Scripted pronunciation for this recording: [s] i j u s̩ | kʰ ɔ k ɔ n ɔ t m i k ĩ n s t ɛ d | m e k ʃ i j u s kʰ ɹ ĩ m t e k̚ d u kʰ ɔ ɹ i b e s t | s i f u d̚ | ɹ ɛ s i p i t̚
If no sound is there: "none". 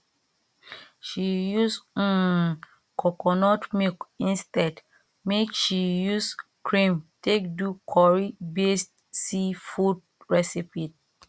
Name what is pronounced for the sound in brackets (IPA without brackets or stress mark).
ʃ